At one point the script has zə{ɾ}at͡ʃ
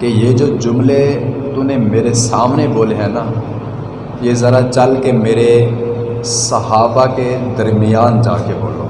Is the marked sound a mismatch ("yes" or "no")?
no